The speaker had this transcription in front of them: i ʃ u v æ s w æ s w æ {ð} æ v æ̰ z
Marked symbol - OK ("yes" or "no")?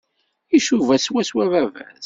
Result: no